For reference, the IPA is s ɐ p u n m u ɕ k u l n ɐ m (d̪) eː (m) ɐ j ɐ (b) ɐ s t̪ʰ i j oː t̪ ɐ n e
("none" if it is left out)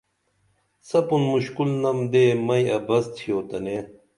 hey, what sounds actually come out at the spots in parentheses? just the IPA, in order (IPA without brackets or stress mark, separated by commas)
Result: d̪, m, b